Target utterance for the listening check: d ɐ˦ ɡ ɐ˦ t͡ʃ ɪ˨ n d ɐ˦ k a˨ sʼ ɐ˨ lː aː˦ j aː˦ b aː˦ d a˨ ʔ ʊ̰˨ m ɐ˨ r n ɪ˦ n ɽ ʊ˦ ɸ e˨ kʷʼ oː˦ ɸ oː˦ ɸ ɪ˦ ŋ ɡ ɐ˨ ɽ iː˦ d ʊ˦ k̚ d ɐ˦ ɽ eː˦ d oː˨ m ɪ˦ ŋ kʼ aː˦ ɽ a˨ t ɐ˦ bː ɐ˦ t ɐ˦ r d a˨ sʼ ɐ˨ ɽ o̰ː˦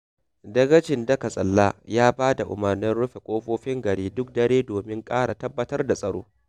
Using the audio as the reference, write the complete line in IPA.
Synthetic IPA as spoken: d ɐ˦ ɡ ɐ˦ t͡ʃ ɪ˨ n d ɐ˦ k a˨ sʼ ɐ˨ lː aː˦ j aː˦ b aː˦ d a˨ ʔ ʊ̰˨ m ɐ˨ r n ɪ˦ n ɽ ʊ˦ ɸ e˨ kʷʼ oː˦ ɸ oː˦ ɸ ɪ˦ ŋ ɡ ɐ˨ ɽ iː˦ d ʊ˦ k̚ d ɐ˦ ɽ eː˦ d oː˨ m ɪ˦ ŋ kʼ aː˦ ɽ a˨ t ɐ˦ bː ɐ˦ t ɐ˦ r d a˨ sʼ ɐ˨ ɽ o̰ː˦

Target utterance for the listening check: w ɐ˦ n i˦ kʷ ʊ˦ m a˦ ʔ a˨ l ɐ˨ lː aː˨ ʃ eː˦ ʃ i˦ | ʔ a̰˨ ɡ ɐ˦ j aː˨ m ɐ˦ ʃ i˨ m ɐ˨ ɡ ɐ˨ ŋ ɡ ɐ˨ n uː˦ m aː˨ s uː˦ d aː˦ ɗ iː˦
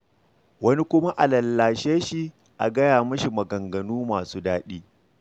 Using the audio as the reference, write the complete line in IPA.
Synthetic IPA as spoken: w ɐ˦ n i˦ kʷ ʊ˦ m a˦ ʔ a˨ l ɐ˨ lː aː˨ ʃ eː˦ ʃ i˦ | ʔ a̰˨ ɡ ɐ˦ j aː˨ m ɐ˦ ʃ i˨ m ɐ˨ ɡ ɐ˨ ŋ ɡ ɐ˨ n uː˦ m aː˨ s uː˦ d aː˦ ɗ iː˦

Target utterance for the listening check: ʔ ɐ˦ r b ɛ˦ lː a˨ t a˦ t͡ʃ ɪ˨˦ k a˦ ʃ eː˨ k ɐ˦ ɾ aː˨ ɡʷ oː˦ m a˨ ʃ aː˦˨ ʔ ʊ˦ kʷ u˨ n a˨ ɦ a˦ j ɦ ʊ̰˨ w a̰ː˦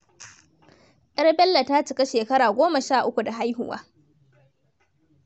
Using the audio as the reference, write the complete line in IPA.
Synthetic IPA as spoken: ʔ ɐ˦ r b ɛ˦ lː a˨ t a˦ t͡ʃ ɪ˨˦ k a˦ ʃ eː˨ k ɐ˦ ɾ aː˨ ɡʷ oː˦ m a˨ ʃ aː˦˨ ʔ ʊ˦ kʷ u˨ d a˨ ɦ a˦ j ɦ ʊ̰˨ w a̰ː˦

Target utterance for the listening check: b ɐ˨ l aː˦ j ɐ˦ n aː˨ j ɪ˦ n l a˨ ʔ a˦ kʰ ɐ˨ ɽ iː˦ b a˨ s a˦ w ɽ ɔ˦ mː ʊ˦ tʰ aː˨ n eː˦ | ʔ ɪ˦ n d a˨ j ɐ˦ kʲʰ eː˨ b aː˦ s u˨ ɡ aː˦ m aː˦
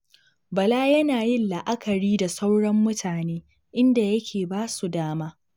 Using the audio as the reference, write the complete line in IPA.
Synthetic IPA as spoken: b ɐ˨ l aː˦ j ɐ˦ n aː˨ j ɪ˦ n l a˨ ʔ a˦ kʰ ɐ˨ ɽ iː˦ d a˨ s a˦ w ɽ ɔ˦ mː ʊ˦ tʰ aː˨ n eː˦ | ʔ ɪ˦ n d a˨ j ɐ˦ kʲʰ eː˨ b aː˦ s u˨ d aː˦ m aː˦

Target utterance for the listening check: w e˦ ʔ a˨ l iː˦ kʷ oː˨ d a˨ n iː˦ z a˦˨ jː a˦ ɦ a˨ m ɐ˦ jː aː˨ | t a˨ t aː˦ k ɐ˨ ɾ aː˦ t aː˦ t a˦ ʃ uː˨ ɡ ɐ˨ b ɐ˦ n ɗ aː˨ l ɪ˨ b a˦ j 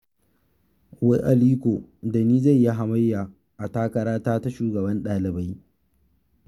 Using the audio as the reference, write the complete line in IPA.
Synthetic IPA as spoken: w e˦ ʔ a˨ l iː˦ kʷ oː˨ d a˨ n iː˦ z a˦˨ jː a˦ ɦ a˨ m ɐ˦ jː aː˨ | ʔ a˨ t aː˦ k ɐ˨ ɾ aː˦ t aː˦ t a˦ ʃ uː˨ ɡ ɐ˨ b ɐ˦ n ɗ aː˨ l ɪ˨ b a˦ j

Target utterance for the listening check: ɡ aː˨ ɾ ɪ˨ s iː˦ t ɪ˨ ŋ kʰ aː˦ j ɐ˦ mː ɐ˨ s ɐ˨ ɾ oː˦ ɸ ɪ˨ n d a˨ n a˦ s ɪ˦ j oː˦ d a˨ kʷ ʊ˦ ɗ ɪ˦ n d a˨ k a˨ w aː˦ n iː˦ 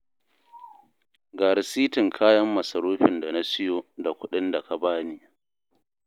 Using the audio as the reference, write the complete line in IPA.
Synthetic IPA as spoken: ɡ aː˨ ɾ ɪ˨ s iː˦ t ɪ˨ ŋ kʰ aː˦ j ɐ˦ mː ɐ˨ s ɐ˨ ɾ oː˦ ɸ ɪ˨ n d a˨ n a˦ s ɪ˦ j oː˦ d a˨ kʷ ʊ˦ ɗ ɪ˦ n d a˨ k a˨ b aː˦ n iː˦

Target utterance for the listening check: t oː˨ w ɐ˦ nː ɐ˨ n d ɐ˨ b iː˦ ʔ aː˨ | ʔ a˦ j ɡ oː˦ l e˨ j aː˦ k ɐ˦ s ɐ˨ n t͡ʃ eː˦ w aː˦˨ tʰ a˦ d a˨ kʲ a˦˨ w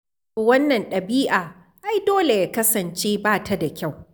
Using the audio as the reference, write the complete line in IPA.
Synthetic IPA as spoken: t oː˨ w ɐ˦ nː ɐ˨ n ɗ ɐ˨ b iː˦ ʔ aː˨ | ʔ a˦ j d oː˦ l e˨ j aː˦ k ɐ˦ s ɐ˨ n t͡ʃ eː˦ b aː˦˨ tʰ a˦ d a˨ kʲ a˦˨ w

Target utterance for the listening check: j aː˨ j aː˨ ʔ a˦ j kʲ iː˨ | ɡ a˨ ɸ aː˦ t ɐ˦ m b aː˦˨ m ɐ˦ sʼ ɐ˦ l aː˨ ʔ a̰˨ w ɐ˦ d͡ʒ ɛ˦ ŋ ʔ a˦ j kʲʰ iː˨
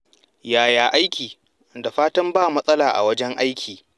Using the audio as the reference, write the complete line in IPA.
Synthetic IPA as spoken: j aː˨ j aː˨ ʔ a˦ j kʲ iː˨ | d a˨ ɸ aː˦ t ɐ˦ m b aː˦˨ m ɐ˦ sʼ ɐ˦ l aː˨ ʔ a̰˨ w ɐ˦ d͡ʒ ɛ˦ ŋ ʔ a˦ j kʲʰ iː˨

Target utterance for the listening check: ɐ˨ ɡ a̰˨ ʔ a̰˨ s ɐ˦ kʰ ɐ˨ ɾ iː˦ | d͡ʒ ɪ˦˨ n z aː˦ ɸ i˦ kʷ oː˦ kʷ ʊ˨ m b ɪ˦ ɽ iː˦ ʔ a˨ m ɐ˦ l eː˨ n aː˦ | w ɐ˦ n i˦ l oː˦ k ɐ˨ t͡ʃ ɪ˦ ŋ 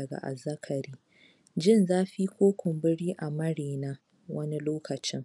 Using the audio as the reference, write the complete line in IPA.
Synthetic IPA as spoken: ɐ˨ ɡ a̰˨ ʔ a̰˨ z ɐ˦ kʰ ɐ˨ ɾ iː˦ | d͡ʒ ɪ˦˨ n z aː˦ ɸ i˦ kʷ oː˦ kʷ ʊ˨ m b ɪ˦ ɽ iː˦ ʔ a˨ m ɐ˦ ɽ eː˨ n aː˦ | w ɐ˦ n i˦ l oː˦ k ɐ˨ t͡ʃ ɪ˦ ŋ

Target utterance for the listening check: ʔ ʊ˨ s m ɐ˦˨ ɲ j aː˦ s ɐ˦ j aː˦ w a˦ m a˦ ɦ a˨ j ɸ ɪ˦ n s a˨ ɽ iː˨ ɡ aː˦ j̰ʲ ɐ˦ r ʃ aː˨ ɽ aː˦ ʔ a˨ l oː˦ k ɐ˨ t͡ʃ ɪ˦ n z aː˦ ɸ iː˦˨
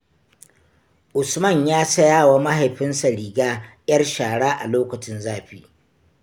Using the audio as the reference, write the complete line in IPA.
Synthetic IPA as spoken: ʔ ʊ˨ s m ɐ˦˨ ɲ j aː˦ s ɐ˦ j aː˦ w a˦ m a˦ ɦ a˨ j ɸ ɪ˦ n s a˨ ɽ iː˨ ɡ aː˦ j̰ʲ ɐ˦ r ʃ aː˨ ɽ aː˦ ʔ a˨ l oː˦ k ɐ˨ t͡ʃ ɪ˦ n z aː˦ ɸ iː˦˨

